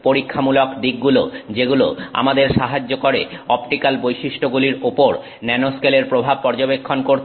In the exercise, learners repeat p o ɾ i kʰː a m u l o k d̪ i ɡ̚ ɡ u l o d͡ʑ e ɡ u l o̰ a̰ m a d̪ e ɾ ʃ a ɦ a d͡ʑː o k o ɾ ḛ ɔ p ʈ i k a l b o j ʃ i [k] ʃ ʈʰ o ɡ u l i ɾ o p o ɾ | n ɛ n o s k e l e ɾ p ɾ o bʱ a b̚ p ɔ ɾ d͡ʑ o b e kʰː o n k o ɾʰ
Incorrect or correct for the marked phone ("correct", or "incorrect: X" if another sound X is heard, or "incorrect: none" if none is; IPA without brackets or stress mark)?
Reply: incorrect: none